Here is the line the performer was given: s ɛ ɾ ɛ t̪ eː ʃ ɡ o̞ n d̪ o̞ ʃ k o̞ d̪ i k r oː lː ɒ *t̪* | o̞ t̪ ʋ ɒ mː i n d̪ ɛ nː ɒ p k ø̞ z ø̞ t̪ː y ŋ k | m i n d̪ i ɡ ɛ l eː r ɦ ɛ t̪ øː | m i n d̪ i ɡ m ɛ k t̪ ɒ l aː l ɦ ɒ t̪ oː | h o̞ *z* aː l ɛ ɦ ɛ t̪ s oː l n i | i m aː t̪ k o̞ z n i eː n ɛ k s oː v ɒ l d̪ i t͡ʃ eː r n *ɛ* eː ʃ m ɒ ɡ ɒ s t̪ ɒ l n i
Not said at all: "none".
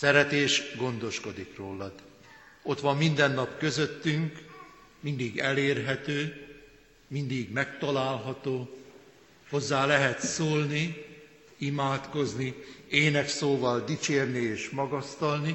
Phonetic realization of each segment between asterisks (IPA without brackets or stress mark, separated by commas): d̪, zː, i